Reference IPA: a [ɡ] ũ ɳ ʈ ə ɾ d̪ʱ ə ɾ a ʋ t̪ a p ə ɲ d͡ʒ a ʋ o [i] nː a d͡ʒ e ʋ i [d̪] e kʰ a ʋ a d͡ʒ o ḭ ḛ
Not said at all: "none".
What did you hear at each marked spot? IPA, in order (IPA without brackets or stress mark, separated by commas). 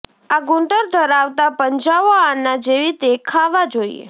ɡ, a, t̪